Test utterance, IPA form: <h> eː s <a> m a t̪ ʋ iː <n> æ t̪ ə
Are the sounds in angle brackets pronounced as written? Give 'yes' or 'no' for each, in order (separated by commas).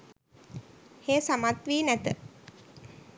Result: yes, yes, yes